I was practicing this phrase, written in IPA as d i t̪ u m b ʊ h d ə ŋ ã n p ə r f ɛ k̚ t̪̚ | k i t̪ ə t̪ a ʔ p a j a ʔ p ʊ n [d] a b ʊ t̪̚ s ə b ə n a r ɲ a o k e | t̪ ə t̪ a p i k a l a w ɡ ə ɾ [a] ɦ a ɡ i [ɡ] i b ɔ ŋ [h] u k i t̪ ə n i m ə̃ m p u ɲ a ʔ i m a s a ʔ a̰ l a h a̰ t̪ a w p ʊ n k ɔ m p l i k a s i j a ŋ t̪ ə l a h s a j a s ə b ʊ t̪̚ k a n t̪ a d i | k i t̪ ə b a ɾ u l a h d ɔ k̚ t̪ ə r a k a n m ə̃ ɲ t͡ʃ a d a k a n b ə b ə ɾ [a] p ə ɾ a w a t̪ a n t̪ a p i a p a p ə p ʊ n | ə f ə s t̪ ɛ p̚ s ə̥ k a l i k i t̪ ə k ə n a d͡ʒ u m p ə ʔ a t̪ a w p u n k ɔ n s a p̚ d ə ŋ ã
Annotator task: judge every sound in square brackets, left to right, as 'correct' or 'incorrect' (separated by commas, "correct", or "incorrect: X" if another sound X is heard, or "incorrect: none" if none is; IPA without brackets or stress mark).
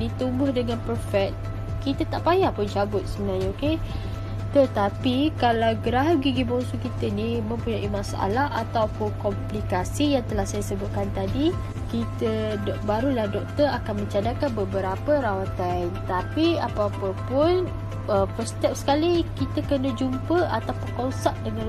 incorrect: d͡ʒ, correct, correct, incorrect: s, correct